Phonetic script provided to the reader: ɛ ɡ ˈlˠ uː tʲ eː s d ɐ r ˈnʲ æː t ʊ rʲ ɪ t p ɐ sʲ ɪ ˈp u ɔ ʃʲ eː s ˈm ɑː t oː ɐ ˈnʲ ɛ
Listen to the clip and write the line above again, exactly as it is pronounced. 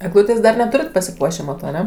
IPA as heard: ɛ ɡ ˈlˠ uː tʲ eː s d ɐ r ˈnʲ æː t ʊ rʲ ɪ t p ɐ sʲ ɪ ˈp u ɔ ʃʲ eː ˈm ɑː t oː ɐ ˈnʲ ɛ